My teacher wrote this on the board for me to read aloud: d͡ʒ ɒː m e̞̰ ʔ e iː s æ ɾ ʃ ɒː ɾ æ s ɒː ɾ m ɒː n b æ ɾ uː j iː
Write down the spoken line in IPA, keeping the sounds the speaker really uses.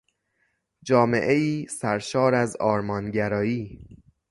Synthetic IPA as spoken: d͡ʒ ɒː m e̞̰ ʔ e iː s æ ɾ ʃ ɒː ɾ æ z ɒː ɾ m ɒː n ɟ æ ɾ ɒː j iː